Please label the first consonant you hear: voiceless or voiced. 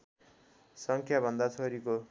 voiceless